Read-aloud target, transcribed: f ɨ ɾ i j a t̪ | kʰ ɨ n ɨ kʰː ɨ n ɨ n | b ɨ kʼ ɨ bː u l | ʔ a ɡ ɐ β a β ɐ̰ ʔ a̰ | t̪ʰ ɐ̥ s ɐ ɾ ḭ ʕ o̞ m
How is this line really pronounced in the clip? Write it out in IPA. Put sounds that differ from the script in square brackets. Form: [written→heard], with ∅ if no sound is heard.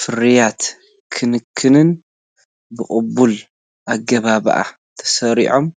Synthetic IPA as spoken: f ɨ ɾ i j a t̪ | kʰ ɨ n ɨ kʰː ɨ n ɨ n | b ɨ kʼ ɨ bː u l | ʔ a ɡ ɐ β a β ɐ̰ ʔ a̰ | t̪ʰ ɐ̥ s ɐ ɾ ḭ ʕ o̞ m